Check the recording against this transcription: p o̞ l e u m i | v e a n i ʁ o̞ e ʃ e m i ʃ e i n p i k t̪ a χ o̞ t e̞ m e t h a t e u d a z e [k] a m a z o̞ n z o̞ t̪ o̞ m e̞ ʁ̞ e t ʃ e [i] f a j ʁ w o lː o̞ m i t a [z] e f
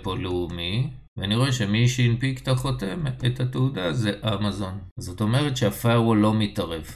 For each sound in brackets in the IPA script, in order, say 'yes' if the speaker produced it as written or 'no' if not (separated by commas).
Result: no, no, no